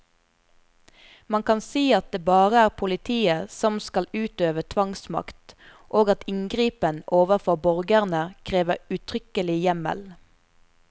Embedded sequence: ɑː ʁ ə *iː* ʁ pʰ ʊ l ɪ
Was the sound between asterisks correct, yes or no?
no